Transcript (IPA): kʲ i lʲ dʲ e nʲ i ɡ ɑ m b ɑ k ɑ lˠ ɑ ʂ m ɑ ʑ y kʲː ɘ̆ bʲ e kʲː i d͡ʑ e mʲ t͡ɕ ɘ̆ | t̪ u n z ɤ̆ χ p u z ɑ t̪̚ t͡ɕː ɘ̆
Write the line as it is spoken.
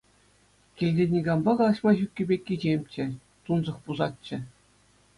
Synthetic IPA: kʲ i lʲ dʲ e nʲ i ɡ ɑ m b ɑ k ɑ lˠ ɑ ɕ m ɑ ʑ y kʲː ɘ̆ bʲ e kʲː i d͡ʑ e mʲ t͡ɕ ɘ̆ | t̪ u n z ɤ̆ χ p u z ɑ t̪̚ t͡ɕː ɘ̆